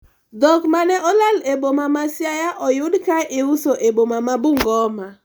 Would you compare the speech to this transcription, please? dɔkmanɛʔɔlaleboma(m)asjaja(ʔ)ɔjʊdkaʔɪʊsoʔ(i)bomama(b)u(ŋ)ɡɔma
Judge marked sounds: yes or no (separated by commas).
yes, yes, no, yes, yes